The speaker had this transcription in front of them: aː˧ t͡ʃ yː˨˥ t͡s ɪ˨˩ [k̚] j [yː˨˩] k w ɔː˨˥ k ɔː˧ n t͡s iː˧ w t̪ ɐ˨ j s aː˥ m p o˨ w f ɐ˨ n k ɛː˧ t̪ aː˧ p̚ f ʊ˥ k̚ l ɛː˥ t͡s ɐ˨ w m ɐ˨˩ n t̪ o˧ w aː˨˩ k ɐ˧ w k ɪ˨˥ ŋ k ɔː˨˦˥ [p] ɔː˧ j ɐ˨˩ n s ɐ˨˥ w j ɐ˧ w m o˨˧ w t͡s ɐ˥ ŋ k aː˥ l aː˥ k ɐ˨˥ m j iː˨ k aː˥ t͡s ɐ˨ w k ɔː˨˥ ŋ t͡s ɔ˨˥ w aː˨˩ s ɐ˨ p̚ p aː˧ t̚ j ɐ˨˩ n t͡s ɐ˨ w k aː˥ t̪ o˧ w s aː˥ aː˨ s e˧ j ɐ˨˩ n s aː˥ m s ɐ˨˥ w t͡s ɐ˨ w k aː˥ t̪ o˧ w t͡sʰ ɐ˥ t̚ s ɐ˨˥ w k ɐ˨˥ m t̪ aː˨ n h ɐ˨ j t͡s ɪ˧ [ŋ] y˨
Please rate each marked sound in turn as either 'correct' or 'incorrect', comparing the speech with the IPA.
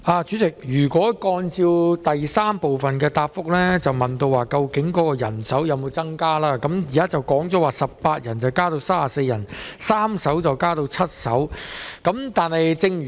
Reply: correct, correct, incorrect, correct

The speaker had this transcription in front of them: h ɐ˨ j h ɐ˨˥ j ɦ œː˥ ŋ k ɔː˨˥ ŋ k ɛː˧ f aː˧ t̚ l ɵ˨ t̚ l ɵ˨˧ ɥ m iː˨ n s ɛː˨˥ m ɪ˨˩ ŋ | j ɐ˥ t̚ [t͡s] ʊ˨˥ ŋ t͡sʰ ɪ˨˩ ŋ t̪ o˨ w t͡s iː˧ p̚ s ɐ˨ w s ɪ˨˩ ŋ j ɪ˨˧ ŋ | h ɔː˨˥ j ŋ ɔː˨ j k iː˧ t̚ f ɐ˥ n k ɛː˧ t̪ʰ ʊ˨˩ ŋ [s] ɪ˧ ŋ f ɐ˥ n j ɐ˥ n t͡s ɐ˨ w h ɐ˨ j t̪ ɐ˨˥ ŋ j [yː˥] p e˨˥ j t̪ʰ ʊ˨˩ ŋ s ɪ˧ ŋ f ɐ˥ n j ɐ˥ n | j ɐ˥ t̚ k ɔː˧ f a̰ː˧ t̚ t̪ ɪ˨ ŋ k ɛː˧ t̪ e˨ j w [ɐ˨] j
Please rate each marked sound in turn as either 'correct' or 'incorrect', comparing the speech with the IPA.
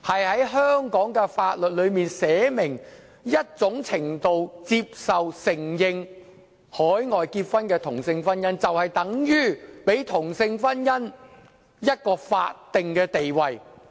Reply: correct, correct, correct, correct

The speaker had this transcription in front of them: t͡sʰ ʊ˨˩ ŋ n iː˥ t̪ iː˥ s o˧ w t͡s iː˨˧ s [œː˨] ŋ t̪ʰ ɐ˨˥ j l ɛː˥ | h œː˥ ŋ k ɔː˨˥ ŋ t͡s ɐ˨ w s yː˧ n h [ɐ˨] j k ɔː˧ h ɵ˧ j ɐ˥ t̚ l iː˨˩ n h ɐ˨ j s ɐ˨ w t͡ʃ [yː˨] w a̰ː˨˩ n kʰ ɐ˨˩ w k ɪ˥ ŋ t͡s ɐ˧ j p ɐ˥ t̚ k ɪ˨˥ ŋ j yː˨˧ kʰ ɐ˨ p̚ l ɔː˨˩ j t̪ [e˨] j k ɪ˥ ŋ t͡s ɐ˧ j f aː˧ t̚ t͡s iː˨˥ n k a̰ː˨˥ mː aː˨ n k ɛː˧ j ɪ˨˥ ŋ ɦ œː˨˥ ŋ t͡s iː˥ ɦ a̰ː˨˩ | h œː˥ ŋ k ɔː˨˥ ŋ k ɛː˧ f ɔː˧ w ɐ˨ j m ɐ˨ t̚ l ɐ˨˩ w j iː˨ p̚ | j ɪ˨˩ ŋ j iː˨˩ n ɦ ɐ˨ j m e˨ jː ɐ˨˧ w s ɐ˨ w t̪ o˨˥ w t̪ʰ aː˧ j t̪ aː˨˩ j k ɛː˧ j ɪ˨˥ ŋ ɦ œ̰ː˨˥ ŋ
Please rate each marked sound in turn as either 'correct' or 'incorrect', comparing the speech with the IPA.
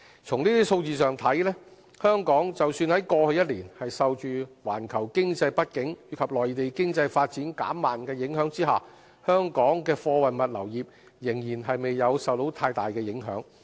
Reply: correct, incorrect, correct, correct

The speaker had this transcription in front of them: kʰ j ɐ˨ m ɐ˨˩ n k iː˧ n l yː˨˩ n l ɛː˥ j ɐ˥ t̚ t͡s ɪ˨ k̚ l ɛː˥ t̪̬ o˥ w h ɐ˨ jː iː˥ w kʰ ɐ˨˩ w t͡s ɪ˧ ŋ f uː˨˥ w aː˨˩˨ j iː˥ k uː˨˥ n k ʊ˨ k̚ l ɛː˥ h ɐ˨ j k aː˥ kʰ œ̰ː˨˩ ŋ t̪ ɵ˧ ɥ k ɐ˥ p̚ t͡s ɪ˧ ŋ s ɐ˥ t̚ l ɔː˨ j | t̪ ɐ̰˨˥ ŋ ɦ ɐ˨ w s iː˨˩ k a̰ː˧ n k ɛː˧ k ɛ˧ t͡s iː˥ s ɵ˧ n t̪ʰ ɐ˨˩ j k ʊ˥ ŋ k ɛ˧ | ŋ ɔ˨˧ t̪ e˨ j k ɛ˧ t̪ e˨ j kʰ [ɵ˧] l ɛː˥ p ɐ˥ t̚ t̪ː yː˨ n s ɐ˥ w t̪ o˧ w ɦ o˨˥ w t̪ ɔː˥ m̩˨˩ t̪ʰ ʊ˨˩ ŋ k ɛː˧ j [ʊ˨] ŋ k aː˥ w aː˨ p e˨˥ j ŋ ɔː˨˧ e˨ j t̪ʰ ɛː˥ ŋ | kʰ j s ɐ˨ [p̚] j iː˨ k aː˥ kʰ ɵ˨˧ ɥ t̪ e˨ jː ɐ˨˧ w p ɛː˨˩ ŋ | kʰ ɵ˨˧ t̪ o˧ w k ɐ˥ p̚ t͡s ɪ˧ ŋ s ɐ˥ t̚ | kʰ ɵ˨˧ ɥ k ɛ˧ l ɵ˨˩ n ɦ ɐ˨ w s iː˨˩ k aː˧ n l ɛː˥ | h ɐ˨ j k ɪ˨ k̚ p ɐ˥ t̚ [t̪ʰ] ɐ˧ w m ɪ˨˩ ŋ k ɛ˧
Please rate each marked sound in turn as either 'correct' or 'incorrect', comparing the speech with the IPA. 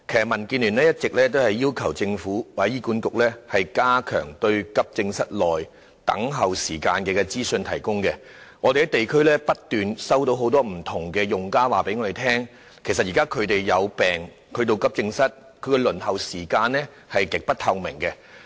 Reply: incorrect, correct, incorrect, correct

